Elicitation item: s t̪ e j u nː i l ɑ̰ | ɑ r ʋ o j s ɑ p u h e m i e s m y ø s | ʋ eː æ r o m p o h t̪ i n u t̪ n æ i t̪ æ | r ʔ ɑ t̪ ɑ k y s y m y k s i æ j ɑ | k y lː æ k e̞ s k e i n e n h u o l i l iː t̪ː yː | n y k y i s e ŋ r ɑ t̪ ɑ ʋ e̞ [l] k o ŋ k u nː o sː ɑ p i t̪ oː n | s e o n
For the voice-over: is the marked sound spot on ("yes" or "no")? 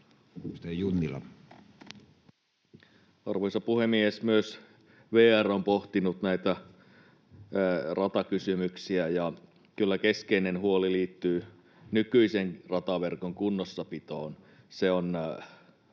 no